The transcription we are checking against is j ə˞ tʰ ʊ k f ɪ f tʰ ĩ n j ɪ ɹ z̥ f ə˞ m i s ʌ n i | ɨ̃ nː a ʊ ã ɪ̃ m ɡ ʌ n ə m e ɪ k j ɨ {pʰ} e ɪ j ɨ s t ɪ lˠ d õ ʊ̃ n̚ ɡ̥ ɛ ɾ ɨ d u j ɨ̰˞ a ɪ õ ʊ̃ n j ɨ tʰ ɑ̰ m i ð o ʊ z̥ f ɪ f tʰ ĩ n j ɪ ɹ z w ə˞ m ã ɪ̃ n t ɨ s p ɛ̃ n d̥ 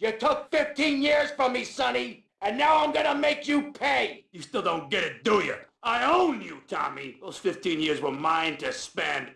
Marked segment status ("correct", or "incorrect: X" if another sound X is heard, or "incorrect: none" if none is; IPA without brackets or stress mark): correct